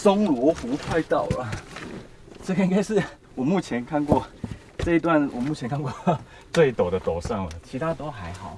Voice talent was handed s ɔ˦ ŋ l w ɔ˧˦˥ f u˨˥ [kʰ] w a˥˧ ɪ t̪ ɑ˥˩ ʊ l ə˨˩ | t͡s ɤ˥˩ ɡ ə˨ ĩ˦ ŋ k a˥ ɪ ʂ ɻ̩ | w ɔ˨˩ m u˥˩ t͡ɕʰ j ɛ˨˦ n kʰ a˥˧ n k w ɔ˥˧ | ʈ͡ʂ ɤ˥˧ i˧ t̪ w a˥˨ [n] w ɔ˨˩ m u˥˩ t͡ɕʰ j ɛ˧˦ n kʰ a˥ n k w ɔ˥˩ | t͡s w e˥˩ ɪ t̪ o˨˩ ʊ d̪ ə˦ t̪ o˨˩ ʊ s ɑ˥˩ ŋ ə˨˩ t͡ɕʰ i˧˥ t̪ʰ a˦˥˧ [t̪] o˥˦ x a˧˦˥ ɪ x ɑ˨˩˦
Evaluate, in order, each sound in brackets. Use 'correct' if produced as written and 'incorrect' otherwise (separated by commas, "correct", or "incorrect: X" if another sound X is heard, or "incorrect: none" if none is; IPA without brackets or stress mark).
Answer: correct, correct, correct